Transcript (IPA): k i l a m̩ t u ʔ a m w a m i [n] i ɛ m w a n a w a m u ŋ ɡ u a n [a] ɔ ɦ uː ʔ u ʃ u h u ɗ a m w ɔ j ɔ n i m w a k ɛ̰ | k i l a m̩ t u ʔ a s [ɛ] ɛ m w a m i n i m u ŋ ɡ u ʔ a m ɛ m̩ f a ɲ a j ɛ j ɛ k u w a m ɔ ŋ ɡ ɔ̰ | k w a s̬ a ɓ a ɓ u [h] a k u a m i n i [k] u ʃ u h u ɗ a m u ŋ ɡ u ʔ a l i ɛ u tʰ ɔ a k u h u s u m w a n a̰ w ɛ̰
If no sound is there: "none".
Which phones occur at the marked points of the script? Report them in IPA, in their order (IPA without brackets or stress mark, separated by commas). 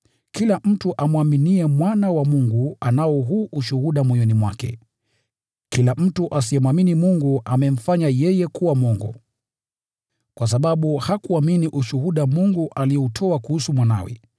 n, a, i, h, ʔ